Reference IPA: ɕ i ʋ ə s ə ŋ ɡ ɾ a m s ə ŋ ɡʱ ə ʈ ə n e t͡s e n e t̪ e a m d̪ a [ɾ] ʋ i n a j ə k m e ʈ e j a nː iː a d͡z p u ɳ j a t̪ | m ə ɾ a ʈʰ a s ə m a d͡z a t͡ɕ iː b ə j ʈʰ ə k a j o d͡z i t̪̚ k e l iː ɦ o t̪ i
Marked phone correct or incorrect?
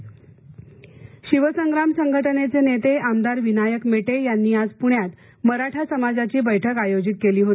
correct